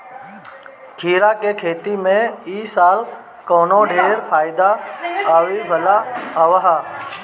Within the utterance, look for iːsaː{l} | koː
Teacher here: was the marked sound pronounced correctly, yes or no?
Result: yes